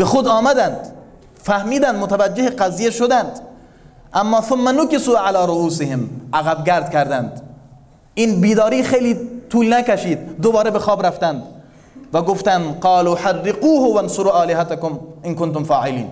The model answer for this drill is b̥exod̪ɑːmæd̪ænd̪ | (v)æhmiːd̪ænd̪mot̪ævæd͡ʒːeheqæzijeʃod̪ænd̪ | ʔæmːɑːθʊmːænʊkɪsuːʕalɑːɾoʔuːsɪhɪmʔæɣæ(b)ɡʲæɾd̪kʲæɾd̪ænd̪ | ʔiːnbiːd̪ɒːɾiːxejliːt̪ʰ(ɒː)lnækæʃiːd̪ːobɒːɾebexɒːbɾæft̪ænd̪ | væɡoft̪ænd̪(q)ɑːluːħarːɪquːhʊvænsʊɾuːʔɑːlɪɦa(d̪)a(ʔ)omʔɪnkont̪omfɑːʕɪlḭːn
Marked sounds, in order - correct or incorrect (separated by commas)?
incorrect, correct, incorrect, correct, incorrect, incorrect